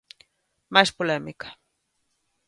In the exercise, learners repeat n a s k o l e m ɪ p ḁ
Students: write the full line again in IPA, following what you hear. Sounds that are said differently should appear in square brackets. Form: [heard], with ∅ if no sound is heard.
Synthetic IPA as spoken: [m] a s [p] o l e m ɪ [k] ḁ